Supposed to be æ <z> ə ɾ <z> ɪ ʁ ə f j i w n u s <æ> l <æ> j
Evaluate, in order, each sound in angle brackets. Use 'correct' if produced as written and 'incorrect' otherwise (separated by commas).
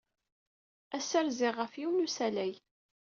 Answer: incorrect, correct, correct, correct